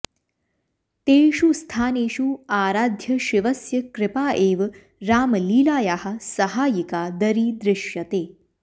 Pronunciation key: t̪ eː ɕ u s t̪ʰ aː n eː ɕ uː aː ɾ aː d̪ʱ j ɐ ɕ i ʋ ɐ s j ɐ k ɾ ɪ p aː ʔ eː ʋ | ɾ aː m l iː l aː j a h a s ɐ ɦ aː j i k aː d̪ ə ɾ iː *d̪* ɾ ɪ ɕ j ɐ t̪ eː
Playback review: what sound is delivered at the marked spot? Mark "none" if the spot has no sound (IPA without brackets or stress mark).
d̪